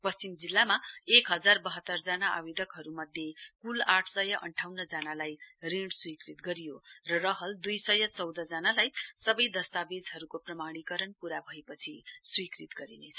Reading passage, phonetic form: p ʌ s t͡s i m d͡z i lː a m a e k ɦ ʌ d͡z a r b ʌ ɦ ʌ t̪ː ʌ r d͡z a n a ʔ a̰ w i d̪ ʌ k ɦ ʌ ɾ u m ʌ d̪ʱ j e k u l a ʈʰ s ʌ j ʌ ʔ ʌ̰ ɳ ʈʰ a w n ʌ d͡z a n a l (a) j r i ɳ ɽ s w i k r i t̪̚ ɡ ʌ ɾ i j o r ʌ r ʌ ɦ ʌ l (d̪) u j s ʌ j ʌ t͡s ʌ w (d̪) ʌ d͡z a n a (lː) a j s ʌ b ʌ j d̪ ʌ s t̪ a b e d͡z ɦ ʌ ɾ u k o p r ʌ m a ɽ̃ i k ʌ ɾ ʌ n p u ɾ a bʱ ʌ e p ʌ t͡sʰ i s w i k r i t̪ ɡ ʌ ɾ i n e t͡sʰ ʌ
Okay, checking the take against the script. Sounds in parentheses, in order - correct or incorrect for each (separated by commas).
correct, correct, correct, incorrect